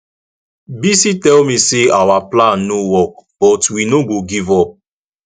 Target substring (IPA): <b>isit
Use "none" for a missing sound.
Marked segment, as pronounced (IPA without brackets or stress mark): b